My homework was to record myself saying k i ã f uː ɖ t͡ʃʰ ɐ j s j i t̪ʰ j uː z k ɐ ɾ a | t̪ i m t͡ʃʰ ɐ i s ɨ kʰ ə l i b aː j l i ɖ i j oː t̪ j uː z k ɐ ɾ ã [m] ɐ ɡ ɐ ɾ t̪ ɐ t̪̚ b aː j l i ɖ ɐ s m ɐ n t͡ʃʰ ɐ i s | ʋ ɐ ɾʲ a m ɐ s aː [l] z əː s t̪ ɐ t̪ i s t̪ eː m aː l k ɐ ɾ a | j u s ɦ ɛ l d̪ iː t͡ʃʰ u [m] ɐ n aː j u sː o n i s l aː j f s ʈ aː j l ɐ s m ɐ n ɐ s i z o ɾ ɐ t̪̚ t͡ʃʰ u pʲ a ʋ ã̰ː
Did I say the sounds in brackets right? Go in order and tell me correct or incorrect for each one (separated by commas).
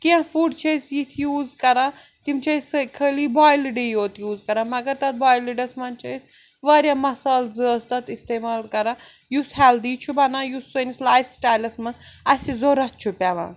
correct, correct, incorrect